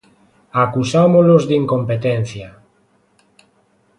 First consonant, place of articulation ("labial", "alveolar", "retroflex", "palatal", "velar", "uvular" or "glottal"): velar